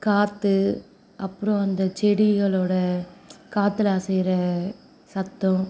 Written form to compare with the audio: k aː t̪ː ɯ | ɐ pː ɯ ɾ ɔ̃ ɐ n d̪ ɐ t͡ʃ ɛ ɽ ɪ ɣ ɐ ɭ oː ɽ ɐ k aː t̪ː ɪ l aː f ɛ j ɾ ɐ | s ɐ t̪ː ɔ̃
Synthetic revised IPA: k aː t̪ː ɯ | ɐ pː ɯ ɾ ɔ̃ ɐ n d̪ ɐ t͡ʃ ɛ ɽ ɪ ɣ ɐ ɭ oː ɽ ɐ k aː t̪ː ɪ l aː s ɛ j ɾ ɐ | s ɐ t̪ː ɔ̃